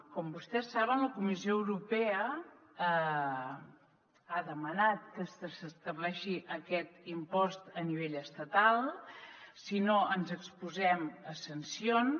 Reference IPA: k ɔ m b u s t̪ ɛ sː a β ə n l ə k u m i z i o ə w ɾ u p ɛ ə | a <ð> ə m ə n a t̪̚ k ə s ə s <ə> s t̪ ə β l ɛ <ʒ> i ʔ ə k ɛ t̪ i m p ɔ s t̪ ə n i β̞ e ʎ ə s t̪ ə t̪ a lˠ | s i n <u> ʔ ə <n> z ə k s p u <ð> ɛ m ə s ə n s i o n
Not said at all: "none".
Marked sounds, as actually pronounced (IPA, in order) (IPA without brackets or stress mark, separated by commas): ð, ə, ʃ, o, n, z